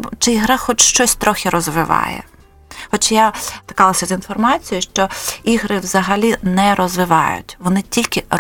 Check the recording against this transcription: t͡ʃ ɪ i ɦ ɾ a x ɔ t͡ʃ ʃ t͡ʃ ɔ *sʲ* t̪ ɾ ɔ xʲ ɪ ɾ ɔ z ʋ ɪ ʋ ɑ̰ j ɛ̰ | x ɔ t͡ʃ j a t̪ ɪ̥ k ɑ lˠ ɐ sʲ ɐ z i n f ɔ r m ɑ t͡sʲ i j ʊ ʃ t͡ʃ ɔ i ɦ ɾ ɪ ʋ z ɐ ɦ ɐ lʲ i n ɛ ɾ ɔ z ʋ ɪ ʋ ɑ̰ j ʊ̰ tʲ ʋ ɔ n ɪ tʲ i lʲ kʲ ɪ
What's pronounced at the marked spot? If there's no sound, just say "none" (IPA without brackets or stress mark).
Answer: sʲ